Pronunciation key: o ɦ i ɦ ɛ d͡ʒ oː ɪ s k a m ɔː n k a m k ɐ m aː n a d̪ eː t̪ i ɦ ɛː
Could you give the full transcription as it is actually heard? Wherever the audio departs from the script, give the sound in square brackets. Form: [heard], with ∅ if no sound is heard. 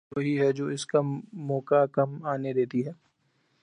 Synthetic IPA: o ɦ i ɦ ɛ d͡ʒ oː ɪ s k a m ɔː [∅] k a [∅] k ɐ m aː n [e] d̪ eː t̪ i ɦ ɛː